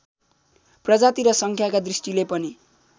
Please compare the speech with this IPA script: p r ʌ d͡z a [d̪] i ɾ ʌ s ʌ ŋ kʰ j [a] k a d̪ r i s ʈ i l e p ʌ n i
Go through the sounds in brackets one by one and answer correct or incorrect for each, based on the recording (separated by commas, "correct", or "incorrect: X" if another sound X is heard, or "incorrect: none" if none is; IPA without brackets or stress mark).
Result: incorrect: t̪, correct